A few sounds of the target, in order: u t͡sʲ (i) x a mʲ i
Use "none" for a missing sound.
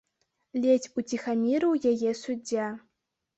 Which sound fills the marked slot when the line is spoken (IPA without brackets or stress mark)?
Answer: i